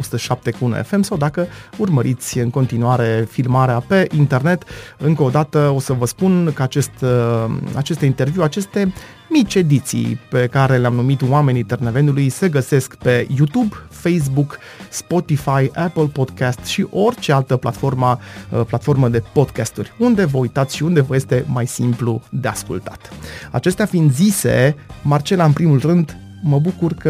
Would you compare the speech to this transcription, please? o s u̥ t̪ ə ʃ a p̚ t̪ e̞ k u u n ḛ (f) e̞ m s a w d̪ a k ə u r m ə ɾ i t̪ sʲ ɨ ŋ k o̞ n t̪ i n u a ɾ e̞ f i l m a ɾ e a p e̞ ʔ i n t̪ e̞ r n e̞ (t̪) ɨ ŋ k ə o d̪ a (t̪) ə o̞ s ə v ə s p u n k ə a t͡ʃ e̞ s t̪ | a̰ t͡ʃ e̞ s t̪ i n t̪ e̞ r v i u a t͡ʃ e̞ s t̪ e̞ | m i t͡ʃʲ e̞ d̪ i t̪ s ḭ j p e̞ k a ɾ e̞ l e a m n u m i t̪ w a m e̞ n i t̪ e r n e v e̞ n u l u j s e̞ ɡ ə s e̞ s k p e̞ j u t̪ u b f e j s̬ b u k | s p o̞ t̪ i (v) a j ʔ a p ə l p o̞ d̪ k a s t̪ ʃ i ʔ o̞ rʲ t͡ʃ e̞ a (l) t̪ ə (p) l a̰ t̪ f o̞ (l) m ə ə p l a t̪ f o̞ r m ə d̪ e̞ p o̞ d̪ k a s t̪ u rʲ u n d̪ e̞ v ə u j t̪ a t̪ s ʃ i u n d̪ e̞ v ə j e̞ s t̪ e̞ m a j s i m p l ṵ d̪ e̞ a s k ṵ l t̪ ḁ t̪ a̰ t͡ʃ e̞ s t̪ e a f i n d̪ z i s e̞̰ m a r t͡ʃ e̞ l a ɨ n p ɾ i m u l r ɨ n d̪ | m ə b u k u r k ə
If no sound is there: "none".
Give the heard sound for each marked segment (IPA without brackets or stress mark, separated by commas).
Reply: f, t̪, t̪, f, l, p, r